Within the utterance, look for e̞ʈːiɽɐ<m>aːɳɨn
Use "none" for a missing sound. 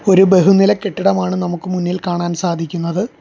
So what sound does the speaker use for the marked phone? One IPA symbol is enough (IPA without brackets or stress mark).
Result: m